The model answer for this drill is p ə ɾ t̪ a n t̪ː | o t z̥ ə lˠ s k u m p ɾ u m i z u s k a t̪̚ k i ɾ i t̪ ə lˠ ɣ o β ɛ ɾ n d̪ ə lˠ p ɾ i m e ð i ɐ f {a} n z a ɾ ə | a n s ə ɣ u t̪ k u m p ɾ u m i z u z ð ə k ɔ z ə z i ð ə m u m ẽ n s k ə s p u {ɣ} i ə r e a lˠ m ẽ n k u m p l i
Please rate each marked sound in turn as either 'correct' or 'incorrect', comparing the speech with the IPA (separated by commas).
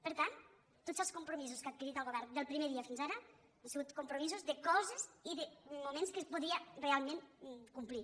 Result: incorrect, incorrect